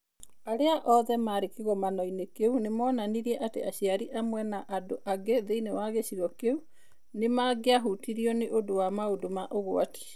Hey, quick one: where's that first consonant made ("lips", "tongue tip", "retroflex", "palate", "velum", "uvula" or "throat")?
tongue tip